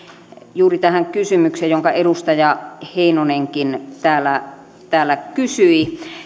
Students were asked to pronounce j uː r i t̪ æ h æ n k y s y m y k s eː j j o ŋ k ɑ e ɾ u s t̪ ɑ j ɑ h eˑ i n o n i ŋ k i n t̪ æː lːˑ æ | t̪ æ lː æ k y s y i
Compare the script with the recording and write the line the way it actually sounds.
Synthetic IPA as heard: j uː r i t̪ æ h æ ŋ k y s y m y k s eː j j o ŋ k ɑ e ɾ u s t̪ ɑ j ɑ h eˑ i n o n e ŋ k i n t̪ æː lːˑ æ | t̪ æː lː æ k y s y i